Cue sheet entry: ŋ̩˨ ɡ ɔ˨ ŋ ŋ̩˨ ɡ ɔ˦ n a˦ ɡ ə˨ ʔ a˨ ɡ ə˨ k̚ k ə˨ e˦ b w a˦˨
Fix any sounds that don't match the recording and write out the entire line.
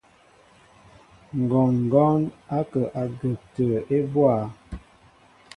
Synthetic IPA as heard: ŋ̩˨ ɡ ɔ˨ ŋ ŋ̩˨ ɡ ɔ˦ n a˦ k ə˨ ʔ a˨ ɡ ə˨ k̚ t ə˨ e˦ b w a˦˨